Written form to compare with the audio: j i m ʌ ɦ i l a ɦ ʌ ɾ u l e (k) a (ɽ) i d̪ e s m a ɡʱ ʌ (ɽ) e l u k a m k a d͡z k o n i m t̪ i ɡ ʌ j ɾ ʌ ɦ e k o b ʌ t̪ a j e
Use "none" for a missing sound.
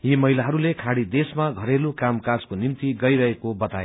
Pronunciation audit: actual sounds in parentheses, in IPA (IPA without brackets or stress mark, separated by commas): kʰ, ɽ, ɾ